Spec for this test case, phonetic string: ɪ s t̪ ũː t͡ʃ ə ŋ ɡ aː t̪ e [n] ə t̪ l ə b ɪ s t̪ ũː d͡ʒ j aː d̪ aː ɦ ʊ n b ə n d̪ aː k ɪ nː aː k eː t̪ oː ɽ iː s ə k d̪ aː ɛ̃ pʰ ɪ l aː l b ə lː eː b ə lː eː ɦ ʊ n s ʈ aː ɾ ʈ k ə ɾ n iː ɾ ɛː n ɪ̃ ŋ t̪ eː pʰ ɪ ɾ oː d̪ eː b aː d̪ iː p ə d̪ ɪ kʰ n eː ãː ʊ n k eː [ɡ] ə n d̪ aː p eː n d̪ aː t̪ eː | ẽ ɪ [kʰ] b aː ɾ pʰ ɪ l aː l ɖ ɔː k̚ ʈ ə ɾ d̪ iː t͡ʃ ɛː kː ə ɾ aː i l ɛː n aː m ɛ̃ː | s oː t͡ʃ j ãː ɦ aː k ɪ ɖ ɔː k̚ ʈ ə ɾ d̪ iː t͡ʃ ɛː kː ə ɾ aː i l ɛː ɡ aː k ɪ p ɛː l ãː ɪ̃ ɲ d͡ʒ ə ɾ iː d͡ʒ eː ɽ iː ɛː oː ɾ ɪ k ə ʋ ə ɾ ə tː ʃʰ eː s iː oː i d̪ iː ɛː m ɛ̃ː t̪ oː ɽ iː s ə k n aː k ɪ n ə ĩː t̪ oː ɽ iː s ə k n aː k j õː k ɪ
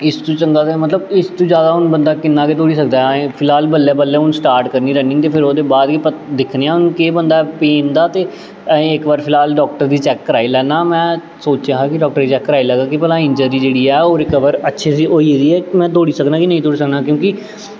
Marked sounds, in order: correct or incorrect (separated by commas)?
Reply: incorrect, incorrect, incorrect